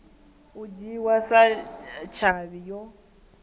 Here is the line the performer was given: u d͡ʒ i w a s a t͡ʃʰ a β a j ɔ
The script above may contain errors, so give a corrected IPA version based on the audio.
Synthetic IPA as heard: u d͡ʒ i w a s a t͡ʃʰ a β i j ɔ